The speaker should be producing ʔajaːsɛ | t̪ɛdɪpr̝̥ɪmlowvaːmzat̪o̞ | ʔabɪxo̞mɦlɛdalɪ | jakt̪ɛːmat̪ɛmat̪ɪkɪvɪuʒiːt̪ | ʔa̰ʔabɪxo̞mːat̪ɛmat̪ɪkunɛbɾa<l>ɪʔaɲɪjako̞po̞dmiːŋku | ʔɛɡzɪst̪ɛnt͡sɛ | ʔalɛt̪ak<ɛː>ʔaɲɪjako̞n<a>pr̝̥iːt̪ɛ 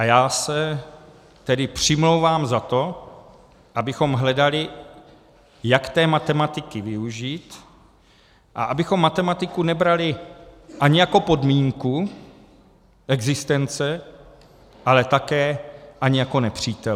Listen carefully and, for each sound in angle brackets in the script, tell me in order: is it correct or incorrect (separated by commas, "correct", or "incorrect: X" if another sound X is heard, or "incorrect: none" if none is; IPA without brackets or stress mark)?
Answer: correct, correct, incorrect: ɛ